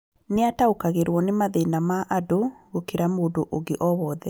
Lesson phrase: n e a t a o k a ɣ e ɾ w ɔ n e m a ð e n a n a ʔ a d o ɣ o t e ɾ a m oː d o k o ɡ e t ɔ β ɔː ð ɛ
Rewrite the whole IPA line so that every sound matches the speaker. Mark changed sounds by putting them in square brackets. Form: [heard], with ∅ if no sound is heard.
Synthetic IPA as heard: n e a t a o k a ɣ e ɾ w ɔ n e m a ð e n a [m] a ʔ a d o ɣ o [k] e ɾ a m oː d o [ʔ] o ɡ e [ʔ] ɔ β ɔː ð ɛ